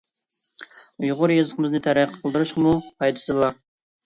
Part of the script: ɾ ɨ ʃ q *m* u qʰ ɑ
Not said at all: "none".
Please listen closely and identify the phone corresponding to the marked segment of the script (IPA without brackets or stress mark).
m